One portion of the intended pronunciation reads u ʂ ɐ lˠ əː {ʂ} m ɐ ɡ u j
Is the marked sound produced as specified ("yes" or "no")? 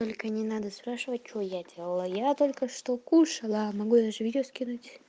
no